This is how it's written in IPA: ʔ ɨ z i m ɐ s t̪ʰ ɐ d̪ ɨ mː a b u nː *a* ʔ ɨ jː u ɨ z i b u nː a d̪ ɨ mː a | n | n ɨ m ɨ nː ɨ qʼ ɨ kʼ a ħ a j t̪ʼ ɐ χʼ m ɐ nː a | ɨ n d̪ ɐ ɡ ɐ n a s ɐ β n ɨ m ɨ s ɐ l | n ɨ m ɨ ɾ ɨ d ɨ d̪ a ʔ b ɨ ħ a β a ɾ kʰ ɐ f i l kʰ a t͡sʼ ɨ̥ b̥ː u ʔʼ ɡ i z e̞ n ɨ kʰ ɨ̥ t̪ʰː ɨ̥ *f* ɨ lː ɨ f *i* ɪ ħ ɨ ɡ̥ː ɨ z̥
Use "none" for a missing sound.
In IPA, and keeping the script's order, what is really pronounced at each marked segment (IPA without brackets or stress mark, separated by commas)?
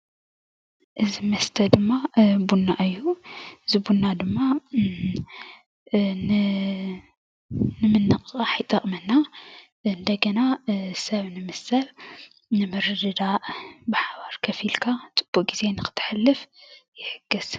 a, ħ, j